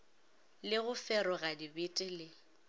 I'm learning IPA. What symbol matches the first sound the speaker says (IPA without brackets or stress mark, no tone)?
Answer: l